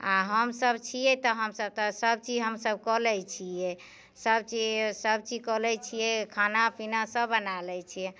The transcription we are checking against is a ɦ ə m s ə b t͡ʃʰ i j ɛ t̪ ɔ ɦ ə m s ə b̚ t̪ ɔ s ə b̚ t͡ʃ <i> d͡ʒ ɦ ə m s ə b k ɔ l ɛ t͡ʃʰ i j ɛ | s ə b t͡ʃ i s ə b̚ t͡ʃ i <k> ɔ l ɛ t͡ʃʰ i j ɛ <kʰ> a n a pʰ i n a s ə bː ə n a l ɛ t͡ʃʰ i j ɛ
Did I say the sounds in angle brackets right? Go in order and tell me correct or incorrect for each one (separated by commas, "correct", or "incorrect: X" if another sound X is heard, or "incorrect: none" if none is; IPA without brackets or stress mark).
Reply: correct, correct, correct